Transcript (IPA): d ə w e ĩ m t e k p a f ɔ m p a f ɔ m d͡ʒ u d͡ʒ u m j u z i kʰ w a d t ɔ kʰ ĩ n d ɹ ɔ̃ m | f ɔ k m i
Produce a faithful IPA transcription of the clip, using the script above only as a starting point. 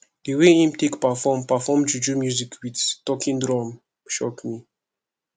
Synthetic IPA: d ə w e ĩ m t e k p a f ɔ m p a f ɔ m d͡ʒ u d͡ʒ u m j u z i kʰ w i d t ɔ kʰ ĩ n d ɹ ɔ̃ m | ʃ ɔ k m i